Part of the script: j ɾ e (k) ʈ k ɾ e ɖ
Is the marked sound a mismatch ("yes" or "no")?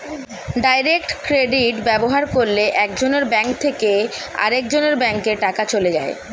no